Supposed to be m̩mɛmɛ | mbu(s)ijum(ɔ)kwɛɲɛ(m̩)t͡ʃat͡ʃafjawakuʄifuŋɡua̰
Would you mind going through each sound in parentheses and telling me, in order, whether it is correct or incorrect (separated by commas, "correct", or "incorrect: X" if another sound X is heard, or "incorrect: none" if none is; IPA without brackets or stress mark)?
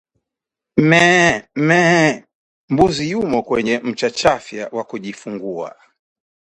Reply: incorrect: z, correct, correct